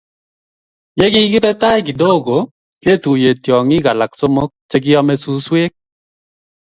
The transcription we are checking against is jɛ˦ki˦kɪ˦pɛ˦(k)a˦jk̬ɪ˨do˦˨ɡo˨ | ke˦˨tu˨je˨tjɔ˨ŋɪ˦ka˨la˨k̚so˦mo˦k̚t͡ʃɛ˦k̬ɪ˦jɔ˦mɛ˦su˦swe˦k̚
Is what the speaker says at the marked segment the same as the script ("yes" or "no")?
no